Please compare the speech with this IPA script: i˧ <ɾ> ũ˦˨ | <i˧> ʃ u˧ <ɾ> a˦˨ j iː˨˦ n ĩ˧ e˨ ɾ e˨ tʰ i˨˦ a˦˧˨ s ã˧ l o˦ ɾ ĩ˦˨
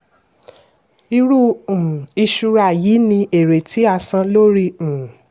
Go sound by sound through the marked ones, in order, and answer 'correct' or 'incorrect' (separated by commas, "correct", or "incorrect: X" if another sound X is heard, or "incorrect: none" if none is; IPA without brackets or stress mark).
correct, correct, correct